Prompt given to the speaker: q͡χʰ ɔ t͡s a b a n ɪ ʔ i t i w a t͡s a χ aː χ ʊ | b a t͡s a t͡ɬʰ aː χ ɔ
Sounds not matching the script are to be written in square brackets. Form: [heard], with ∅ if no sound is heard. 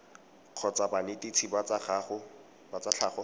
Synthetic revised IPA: q͡χʰ ɔ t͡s a b a n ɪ [t] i [t͡sʰ] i [b] a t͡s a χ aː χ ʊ | b a t͡s a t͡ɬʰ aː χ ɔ